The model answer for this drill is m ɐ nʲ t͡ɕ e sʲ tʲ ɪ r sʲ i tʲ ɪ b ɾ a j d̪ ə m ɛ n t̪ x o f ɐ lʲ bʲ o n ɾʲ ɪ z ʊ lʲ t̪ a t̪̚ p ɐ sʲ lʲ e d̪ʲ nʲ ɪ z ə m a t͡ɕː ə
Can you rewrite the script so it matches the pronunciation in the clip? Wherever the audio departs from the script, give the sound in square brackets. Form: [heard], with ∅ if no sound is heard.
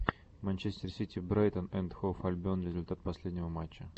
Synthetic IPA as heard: m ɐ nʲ t͡ɕ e sʲ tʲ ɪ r sʲ i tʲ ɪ b ɾ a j [t̪] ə [n] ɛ n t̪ x o f ɐ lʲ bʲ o n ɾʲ ɪ z ʊ lʲ t̪ a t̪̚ p ɐ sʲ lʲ e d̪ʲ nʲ ɪ [v] ə m a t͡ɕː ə